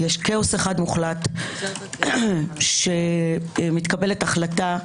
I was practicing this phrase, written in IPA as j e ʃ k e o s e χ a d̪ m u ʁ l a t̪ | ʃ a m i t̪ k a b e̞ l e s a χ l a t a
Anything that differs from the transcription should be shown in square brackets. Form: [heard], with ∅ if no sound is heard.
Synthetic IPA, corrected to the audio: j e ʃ k e o s e χ a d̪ m u [χ] l a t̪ | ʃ [e] m i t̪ k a b e̞ l e [t] a χ l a t a